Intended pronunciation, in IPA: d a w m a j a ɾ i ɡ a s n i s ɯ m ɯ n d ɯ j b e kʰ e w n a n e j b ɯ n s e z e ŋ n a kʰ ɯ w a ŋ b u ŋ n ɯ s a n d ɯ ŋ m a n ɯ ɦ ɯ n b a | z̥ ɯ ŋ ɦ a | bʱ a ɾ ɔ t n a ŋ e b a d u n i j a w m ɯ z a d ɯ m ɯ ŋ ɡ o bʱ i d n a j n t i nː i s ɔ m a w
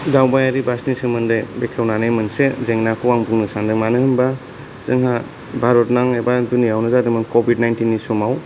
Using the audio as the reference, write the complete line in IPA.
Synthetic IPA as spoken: d a w b a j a ɾ i b a s n i s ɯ m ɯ n d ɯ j b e kʰ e w n a n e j m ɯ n s e z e ŋ n a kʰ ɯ w a ŋ b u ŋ n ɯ s a n d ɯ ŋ m a n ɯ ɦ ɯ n b a | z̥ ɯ ŋ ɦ a | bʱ a ɾ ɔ t n a ŋ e b a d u n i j a w n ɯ z a d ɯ m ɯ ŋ k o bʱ i d n a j n t i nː i s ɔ m a w